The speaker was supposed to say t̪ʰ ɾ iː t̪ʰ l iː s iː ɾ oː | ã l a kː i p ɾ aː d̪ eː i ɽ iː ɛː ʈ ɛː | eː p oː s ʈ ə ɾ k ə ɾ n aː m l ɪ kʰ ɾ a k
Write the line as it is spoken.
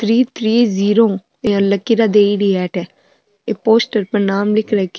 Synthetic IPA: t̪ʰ ɾ iː t̪ʰ ɾ iː z iː ɾ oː | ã l ə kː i ɾ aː d̪ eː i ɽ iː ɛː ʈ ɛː | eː p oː s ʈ ə ɾ p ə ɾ n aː m l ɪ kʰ ɾ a k